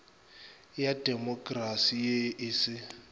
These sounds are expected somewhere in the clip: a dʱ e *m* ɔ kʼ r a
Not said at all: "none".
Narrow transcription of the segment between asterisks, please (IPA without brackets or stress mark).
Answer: m